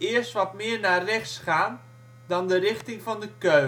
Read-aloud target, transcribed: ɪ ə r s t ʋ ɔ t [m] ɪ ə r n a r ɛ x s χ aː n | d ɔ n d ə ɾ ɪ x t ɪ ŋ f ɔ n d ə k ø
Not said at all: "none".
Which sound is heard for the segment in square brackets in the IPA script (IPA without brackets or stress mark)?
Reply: m